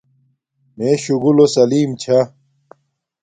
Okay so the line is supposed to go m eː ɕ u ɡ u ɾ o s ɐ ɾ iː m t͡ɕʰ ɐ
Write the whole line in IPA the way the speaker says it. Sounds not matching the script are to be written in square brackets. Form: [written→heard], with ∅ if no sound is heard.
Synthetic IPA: m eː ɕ u ɡ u [ɾ→l] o s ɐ [ɾ→l] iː m t͡ɕʰ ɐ